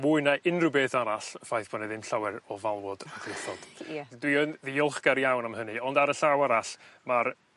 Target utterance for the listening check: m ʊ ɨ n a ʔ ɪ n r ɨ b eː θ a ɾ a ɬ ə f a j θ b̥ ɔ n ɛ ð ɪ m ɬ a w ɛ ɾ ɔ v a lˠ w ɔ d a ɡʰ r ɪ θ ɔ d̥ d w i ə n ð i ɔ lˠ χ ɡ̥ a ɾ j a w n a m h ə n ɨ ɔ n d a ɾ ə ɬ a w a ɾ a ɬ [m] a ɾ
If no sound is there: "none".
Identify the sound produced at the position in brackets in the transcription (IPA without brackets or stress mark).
m